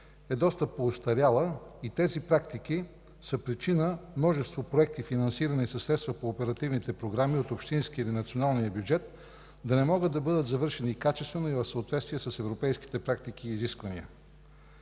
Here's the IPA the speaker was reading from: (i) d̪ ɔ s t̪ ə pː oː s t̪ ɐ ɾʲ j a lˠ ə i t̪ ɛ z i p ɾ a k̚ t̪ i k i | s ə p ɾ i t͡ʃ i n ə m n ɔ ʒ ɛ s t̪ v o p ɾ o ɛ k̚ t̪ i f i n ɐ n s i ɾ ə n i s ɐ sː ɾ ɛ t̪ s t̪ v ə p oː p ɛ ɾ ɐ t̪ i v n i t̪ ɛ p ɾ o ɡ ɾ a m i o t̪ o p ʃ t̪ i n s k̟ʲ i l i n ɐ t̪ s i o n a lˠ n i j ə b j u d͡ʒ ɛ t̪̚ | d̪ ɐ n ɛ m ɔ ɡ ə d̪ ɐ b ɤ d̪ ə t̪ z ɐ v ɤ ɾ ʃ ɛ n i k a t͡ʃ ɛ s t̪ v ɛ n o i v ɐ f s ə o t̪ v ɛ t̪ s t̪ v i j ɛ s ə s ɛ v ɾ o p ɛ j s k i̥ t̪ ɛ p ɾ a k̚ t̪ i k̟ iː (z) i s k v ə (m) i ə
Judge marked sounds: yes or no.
no, yes, no

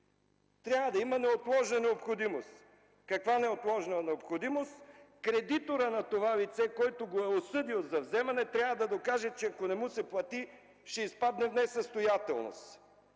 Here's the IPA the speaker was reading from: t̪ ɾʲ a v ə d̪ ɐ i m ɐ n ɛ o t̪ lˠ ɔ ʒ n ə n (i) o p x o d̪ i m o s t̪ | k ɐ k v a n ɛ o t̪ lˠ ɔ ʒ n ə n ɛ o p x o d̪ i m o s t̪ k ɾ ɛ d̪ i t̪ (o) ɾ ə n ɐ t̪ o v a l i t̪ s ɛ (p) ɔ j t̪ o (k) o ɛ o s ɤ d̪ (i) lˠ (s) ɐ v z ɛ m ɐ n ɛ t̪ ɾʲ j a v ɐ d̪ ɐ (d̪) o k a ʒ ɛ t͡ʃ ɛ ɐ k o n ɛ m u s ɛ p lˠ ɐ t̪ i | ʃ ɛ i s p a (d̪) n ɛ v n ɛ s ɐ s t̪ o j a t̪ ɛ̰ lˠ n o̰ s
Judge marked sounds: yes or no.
no, yes, no, no, yes, no, yes, yes

